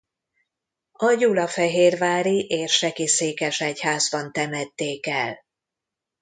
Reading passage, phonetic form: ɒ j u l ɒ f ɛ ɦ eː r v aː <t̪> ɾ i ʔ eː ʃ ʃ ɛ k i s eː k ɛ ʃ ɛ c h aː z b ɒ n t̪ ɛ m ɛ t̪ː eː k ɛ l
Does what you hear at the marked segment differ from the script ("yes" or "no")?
yes